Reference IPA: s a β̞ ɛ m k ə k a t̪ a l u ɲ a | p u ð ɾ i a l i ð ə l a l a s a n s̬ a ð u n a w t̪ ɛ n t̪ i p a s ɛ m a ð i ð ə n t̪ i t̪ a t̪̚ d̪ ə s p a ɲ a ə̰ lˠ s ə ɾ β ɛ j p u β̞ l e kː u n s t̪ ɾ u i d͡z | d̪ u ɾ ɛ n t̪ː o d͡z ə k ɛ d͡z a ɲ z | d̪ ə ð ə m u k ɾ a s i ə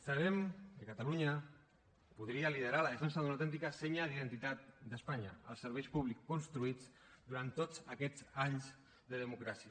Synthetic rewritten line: s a β̞ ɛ m k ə k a t̪ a l u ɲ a | p u ð ɾ i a l i ð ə ɾ a l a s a n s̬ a ð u n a w t̪ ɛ n t̪ i k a s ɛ ɲ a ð i ð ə n t̪ i t̪ a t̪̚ d̪ ə s p a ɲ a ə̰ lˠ s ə ɾ β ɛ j p u β̞ l i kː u n s t̪ ɾ u i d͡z | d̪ u ɾ a n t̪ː o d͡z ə k ɛ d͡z a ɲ z | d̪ ə ð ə m u k ɾ a s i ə